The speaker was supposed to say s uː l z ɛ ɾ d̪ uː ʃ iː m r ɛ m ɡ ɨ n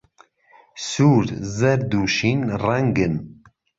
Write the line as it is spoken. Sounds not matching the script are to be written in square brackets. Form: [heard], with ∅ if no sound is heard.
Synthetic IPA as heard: s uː [ɾ] z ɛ ɾ d̪ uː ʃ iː [n] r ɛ [ŋ] ɡ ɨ n